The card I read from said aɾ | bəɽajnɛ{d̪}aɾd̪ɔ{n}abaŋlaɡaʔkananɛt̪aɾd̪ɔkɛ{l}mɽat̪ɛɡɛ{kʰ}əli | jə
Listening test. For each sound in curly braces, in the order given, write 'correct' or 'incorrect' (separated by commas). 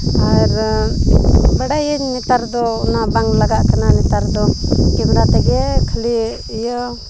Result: incorrect, correct, incorrect, correct